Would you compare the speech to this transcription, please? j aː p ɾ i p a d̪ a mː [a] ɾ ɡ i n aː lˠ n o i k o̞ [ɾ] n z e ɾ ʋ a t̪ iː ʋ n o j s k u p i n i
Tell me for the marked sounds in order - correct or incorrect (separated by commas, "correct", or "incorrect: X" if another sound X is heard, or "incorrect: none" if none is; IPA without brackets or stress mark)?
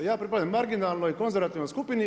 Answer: correct, incorrect: none